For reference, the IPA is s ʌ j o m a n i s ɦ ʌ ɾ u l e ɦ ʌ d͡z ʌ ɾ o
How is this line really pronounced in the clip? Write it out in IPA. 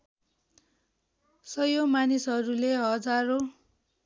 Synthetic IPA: s ʌ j o m a n i s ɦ ʌ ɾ u l e ɦ ʌ d͡z a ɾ o